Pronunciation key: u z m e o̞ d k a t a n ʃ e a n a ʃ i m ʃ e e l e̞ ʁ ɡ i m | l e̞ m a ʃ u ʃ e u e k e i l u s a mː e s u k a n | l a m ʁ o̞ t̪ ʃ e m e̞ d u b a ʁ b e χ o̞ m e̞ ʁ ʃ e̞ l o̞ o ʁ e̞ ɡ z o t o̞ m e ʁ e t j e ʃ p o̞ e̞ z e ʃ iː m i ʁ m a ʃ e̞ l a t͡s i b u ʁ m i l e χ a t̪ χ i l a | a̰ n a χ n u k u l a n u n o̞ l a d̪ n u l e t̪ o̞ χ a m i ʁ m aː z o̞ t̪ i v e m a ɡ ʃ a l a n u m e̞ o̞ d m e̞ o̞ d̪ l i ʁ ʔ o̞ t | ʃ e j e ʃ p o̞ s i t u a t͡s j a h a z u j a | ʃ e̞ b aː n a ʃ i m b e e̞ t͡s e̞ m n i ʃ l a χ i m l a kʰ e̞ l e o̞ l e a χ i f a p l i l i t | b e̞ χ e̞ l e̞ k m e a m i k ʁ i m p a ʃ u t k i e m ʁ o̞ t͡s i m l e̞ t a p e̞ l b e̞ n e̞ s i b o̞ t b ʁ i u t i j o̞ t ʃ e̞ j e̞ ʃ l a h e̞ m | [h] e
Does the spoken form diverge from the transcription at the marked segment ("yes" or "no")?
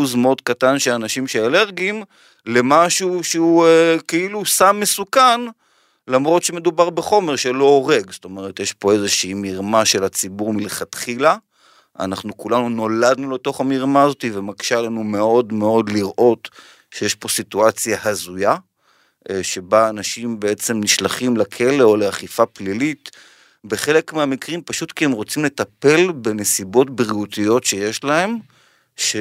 yes